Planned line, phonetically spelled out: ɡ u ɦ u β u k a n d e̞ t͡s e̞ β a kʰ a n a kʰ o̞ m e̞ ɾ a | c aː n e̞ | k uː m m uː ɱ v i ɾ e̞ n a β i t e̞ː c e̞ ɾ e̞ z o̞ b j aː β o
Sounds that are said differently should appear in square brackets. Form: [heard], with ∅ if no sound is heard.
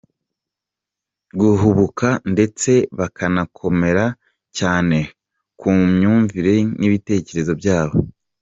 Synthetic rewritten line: ɡ u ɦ u β u k a n d e̞ t͡s e̞ β a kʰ a n a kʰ o̞ m e̞ ɾ a | c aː n e̞ | k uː m [ɲ] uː ɱ v i ɾ e̞ n [i] β i t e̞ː c e̞ ɾ e̞ z o̞ b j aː β o